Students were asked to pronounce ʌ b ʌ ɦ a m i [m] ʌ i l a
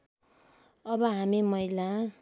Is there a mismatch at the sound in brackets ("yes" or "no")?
no